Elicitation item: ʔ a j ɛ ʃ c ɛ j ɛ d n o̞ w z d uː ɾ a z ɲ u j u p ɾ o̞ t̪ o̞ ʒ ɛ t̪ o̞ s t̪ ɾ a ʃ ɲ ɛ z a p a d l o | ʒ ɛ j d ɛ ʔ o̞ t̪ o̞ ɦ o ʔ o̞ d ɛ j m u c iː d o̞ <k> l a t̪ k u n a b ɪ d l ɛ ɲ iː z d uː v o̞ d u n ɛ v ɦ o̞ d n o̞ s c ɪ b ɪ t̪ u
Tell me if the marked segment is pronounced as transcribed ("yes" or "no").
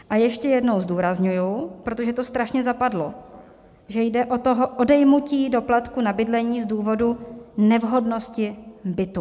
no